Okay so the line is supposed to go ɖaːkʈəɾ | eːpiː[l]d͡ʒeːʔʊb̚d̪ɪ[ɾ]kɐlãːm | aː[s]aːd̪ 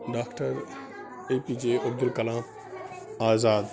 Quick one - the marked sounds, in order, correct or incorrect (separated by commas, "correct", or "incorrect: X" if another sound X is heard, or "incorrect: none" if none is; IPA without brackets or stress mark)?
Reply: incorrect: none, incorrect: l, incorrect: z